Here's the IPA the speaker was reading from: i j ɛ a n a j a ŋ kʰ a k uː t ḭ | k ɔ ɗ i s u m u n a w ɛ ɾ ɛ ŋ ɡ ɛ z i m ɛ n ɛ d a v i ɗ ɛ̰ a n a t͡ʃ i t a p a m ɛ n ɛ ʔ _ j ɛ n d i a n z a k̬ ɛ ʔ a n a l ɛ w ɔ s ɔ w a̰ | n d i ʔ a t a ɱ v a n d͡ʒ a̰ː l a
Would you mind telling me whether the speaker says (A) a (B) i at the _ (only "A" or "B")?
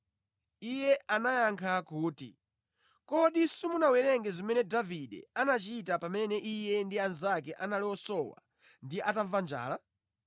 B